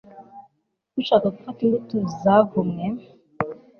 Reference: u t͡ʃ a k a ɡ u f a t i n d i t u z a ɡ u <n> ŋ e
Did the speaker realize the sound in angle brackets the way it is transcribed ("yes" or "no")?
no